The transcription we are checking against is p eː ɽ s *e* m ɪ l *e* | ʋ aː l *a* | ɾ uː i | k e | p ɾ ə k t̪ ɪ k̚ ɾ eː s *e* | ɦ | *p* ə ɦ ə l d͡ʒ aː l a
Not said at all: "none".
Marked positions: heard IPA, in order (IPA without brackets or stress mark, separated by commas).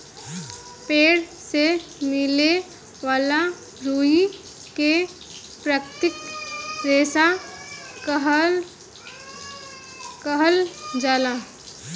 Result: e, e, a, a, k